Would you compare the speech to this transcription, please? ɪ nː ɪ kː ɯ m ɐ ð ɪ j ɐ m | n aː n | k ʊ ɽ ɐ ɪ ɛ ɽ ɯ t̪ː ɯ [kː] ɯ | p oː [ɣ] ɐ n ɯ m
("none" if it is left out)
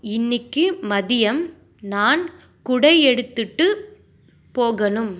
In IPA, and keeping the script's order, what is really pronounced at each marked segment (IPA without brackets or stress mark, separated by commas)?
ʈː, ɣ